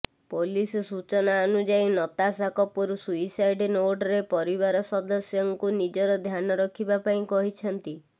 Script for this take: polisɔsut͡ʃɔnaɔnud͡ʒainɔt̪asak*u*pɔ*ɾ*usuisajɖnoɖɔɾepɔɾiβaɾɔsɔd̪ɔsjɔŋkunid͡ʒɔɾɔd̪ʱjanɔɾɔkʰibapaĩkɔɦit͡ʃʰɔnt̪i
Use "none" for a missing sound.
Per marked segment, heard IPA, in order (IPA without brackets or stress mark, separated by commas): ɔ, ɾ